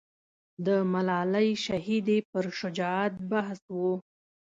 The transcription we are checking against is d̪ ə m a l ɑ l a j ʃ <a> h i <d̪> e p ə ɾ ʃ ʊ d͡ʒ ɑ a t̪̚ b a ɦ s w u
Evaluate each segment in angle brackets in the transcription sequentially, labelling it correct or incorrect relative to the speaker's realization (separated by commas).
correct, correct